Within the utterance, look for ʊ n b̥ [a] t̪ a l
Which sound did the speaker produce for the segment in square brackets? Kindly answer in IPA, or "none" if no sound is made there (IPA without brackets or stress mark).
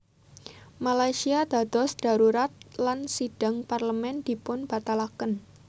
a